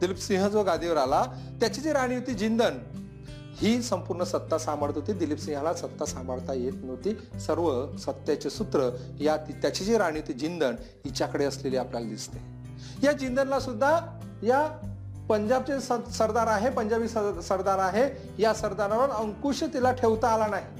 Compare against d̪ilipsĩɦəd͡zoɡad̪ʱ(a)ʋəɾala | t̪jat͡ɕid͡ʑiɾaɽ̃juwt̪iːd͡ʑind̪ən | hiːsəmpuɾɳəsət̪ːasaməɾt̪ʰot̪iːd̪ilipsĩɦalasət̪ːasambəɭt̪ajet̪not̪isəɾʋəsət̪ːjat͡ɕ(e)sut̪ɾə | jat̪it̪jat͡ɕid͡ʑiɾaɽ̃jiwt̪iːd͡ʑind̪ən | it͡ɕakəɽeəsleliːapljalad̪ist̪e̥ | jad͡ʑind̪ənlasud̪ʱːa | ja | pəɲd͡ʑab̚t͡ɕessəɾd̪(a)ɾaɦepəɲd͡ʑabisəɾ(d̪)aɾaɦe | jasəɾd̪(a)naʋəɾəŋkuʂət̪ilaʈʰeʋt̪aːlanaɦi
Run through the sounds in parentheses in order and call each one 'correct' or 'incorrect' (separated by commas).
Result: incorrect, correct, correct, correct, correct